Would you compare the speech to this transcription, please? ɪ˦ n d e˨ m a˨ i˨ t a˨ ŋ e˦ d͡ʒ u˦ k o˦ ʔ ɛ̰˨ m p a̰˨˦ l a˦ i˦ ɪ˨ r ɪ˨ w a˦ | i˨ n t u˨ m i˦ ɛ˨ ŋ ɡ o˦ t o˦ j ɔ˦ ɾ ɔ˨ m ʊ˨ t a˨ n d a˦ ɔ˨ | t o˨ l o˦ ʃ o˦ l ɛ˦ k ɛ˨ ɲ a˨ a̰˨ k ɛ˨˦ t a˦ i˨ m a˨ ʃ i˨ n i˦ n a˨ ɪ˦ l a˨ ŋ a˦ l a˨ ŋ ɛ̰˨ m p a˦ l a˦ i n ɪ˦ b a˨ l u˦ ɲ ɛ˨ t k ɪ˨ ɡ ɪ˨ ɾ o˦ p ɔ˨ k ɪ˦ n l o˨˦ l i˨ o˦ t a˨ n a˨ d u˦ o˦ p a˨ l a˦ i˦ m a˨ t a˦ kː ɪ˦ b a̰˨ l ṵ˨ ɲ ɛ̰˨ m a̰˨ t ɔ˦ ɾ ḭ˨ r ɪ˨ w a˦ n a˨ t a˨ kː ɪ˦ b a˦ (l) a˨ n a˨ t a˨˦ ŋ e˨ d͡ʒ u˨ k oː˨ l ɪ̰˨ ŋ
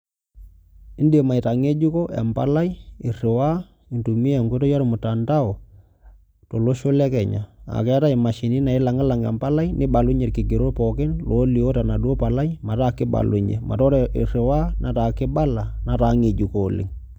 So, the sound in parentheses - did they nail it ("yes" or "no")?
yes